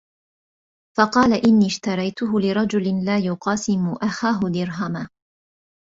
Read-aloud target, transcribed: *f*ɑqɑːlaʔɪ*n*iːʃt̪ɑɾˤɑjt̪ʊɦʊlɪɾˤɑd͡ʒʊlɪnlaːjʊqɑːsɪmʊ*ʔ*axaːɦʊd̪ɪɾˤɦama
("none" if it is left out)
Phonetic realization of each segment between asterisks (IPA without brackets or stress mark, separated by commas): f, nː, ʔ